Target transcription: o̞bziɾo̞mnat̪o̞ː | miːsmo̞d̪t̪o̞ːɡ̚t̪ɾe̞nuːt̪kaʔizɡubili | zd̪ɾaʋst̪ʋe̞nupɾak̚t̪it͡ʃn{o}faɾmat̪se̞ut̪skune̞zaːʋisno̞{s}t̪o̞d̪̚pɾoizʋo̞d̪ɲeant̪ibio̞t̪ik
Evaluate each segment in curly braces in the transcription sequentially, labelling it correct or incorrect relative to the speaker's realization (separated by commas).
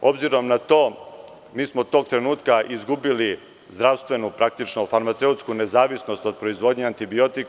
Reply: correct, correct